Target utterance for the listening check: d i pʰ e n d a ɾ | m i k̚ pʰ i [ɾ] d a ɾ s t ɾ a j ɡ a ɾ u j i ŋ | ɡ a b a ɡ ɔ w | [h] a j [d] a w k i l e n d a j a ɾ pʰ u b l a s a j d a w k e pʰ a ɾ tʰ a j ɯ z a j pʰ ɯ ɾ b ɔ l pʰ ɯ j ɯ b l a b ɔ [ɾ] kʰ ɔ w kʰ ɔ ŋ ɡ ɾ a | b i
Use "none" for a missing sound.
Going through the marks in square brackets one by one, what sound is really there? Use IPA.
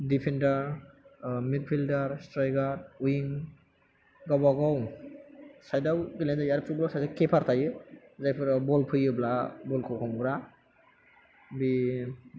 l, s, d, l

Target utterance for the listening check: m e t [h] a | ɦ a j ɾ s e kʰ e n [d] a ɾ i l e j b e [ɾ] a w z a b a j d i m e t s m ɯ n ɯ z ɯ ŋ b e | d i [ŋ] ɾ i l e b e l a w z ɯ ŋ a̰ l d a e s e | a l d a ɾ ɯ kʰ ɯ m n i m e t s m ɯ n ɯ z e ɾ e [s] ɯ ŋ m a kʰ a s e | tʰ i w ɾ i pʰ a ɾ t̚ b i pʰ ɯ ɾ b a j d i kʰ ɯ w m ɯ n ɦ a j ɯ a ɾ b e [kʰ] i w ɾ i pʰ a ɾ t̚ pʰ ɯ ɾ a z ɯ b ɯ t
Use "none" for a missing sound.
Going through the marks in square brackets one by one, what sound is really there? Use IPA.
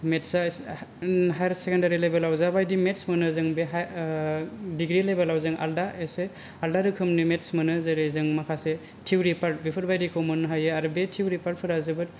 s, d, l, ɡ, z, tʰ

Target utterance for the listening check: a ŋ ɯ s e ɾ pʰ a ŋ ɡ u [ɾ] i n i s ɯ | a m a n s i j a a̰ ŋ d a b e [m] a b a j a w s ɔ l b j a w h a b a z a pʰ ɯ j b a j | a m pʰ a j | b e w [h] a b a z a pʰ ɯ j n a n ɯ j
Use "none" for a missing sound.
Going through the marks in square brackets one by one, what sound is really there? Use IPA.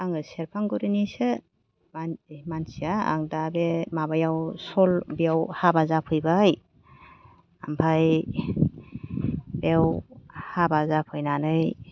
ɾ, m, h

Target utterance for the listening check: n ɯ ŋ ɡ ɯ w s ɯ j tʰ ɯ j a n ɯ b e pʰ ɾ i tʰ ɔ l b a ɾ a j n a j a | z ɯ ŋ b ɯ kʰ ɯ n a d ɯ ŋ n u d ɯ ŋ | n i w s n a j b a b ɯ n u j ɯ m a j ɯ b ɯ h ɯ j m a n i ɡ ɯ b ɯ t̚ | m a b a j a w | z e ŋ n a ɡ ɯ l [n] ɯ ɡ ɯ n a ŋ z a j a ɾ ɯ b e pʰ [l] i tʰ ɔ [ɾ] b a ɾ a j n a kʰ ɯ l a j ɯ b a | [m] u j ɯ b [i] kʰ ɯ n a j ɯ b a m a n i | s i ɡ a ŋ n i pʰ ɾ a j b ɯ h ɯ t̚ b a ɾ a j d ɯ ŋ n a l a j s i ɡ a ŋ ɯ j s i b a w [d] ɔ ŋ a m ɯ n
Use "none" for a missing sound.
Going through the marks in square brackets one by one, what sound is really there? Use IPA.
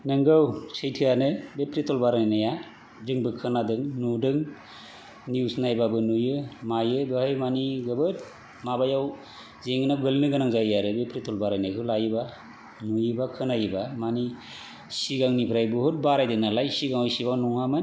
n, ɾ, l, n, a, n

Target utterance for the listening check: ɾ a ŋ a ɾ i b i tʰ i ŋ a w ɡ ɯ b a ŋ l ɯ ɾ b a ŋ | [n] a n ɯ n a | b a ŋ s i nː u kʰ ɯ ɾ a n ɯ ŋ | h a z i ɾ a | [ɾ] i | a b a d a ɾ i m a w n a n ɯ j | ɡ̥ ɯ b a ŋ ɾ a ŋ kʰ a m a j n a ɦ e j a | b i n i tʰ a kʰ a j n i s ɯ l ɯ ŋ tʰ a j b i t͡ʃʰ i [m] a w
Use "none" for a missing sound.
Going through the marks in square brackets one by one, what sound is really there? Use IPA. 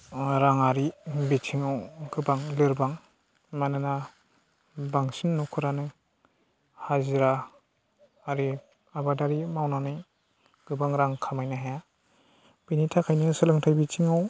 m, ɾ, ŋ

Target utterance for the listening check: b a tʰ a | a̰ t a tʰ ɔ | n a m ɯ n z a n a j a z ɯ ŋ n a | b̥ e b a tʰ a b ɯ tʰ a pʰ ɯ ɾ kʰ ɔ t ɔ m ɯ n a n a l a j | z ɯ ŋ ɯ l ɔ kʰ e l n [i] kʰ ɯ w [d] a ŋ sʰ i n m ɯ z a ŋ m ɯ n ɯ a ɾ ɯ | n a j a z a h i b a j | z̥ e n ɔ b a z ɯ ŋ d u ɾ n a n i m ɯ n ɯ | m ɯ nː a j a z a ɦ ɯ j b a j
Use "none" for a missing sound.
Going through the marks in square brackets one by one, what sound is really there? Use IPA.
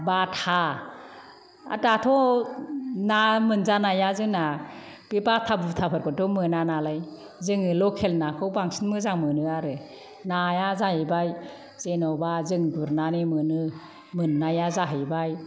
a, b

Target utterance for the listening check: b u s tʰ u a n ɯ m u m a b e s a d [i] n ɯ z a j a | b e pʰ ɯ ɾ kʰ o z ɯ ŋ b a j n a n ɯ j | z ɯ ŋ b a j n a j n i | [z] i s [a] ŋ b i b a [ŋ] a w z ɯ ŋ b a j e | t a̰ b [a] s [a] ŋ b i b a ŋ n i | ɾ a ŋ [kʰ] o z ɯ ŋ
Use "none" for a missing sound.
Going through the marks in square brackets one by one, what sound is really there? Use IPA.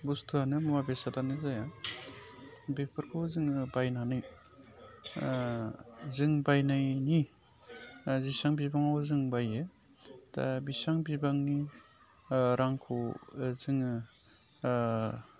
a, z, a, ŋ, i, a, kʰ

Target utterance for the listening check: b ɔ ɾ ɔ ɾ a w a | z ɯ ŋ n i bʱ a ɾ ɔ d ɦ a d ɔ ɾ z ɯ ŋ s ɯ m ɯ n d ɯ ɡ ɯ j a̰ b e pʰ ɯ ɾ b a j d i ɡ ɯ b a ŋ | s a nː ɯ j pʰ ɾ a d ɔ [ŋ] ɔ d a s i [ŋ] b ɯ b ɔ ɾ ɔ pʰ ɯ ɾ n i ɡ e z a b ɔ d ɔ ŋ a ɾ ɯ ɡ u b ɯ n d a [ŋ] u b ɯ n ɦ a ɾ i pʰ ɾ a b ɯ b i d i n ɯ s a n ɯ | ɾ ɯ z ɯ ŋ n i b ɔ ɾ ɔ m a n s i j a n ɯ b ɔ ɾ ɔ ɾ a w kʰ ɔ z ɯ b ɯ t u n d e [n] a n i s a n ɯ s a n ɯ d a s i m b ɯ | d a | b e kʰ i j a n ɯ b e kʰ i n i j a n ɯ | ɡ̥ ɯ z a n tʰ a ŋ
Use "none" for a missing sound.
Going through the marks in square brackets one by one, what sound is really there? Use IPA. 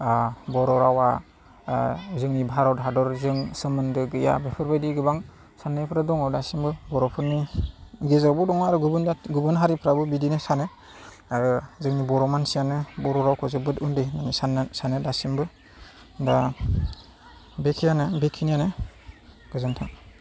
ŋ, m, ɡ, n

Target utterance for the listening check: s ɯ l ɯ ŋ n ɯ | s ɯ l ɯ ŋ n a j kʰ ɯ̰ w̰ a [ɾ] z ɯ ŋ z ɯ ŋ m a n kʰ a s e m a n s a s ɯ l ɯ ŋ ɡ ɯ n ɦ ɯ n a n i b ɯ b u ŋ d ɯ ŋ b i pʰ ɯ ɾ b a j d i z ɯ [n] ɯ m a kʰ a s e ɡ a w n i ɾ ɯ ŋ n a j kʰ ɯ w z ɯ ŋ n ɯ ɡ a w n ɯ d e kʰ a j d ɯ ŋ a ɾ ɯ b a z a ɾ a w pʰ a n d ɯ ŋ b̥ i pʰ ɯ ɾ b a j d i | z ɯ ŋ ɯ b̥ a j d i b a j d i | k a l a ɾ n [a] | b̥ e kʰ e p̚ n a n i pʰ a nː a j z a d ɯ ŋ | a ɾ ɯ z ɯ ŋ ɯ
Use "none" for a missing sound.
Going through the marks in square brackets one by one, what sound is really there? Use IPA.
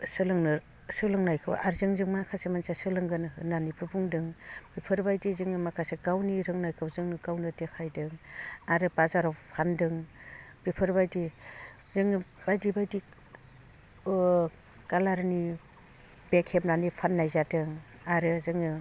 ɾ, ŋ, i

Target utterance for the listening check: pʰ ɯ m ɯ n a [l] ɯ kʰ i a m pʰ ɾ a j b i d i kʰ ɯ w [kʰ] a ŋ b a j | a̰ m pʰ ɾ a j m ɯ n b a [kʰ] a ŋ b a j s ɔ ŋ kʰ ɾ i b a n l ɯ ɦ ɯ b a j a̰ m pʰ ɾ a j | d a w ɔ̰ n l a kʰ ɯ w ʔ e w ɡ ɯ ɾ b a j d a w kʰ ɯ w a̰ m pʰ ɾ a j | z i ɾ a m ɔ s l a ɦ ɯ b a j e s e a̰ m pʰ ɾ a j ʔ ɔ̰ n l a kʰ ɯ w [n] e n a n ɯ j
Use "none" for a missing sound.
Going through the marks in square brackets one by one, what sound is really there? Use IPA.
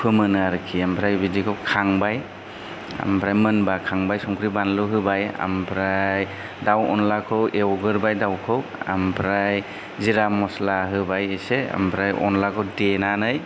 ɾ, kʰ, kʰ, d

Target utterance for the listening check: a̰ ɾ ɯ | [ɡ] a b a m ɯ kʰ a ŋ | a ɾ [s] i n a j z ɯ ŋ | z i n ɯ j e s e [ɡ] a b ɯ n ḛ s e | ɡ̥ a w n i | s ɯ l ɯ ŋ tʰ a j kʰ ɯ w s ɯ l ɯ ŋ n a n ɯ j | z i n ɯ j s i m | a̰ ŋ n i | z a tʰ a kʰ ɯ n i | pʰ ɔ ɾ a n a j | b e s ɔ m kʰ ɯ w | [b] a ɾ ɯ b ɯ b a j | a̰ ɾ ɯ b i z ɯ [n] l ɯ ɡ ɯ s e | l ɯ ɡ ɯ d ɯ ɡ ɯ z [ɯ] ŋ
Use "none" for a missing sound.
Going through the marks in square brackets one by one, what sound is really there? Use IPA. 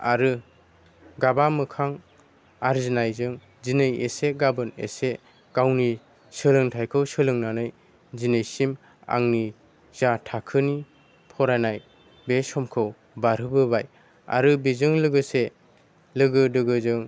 ɡ, z, ɡ, b, ŋ, ɯ

